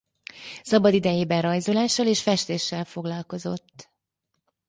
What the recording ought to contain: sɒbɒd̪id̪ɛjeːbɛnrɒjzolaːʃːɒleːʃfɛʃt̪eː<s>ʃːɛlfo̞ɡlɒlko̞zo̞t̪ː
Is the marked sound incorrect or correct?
incorrect